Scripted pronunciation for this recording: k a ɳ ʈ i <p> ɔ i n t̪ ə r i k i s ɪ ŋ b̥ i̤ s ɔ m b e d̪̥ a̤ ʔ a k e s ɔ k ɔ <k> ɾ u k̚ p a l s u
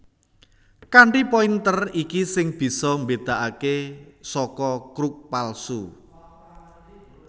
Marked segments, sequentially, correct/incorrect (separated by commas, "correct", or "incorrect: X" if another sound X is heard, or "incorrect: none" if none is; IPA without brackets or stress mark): correct, correct